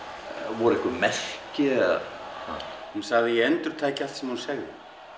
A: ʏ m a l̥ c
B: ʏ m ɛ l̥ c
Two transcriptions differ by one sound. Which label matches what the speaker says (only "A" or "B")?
B